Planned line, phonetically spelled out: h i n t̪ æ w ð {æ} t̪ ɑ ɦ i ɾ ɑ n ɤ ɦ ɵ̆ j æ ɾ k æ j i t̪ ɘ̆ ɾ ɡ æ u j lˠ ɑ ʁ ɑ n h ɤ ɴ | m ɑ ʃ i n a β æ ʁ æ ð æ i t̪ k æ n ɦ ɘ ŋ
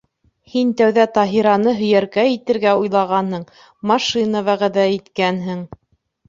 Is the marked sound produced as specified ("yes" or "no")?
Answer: yes